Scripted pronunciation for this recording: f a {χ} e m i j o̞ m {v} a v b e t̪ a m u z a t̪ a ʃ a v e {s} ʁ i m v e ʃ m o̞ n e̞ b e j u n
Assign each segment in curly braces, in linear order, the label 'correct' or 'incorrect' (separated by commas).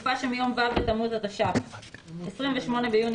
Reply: incorrect, correct, correct